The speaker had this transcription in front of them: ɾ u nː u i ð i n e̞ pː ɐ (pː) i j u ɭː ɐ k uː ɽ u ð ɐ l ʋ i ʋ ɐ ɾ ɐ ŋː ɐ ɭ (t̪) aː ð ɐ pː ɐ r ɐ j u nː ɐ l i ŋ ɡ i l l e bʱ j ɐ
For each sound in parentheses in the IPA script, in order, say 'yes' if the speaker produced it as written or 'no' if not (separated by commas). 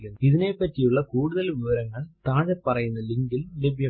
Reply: no, yes